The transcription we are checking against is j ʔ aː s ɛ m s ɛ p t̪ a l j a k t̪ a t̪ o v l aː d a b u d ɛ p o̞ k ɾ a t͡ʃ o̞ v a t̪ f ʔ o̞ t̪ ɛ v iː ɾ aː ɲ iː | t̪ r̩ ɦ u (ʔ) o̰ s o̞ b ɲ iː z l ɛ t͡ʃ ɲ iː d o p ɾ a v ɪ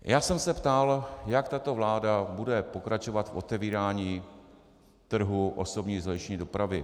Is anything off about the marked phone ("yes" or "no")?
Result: no